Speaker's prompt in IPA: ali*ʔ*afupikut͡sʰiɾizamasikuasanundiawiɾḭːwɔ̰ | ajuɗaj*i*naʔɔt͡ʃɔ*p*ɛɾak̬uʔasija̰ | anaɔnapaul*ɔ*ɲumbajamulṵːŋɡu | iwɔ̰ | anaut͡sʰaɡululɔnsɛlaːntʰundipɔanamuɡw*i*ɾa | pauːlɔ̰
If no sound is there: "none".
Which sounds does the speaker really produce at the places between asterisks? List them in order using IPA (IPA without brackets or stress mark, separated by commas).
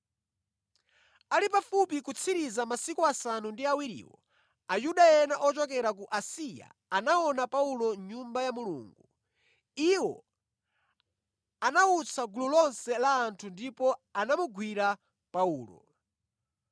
p, ɛ, k, ɔ, i